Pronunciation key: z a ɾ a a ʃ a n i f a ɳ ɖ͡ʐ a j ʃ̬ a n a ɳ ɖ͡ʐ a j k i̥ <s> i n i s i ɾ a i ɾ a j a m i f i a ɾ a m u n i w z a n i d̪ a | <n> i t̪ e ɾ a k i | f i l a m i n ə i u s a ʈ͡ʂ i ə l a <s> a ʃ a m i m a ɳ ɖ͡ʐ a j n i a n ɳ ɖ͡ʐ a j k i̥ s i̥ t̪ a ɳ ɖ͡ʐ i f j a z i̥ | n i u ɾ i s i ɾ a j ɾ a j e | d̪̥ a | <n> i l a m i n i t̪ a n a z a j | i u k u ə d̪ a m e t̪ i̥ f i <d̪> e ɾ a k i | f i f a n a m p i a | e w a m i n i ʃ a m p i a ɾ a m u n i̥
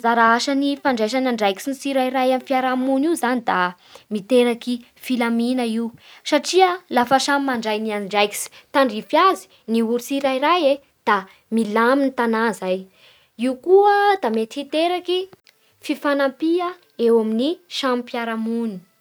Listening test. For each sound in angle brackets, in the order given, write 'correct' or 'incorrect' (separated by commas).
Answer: correct, incorrect, incorrect, incorrect, incorrect